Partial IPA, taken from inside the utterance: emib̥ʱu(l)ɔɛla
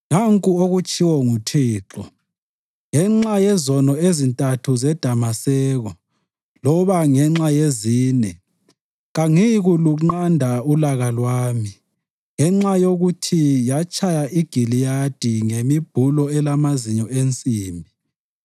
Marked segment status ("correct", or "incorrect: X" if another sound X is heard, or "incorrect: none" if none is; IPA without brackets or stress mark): correct